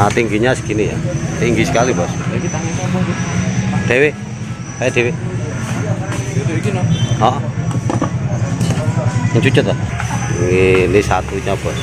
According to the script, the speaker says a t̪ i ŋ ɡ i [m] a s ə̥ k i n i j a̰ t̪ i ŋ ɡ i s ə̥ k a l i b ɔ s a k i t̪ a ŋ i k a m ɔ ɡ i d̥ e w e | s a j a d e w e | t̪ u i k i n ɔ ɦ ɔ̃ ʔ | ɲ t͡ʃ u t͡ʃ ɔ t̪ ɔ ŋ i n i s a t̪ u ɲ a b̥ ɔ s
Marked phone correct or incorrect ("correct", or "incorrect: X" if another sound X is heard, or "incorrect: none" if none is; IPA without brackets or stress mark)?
incorrect: ɲ